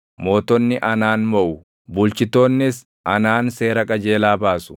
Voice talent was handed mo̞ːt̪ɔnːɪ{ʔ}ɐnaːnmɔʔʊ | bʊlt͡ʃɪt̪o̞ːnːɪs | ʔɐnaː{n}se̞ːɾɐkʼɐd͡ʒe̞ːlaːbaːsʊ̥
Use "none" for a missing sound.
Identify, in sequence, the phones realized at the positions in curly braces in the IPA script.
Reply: ʔ, n

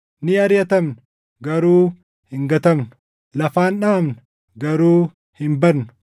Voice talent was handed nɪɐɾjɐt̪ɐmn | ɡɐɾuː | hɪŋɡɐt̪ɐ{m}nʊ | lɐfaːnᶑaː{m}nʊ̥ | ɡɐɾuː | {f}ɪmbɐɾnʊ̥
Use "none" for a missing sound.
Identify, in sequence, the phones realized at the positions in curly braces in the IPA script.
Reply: m, m, h

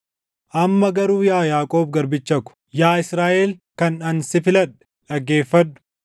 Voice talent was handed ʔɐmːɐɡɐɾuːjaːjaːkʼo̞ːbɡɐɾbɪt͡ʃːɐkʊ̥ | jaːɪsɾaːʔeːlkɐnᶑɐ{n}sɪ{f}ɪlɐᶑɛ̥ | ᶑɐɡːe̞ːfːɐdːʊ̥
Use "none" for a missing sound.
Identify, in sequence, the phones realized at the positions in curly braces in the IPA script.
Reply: n, f

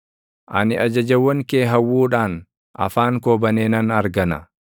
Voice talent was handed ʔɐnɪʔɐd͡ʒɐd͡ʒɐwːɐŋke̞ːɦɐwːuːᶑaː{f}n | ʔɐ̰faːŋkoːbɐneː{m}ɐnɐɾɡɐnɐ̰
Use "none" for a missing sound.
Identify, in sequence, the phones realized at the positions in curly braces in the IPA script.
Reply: none, n

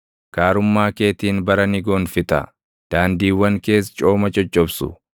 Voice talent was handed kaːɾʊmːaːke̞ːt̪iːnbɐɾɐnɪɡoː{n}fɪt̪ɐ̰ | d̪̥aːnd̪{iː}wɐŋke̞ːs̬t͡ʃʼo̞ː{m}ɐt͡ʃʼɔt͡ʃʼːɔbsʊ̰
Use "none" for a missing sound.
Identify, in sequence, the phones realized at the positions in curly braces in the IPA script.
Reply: n, iː, m

